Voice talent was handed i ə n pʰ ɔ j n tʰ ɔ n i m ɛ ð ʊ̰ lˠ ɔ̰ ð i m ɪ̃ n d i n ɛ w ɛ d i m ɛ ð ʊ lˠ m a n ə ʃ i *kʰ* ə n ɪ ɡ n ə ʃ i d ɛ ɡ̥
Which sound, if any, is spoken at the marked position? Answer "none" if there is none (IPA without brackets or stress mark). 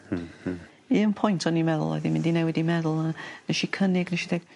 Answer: kʰ